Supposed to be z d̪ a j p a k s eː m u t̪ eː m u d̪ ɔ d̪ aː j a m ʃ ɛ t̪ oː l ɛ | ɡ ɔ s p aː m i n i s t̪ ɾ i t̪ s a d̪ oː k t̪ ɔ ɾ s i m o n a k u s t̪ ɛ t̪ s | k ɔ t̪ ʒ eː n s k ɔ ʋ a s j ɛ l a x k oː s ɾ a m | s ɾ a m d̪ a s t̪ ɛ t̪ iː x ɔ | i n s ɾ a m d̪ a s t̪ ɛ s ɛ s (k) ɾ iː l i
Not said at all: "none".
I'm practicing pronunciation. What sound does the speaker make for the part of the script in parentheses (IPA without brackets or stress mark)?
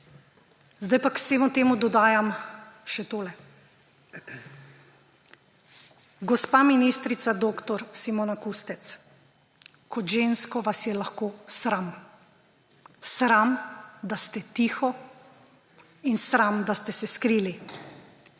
k